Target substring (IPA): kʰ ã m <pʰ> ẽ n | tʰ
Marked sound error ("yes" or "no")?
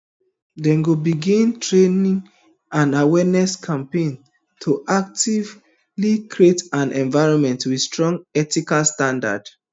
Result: yes